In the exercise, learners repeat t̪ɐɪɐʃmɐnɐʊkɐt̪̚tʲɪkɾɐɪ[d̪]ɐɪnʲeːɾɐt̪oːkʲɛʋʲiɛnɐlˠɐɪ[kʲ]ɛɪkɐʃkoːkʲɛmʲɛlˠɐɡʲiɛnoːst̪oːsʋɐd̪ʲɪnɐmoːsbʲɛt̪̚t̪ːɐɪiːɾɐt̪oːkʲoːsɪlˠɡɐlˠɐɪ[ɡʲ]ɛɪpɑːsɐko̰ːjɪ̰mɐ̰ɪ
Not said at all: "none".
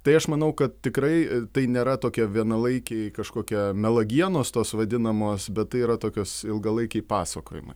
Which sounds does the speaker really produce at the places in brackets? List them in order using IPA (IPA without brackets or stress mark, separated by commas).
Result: t̪, kʲ, kʲ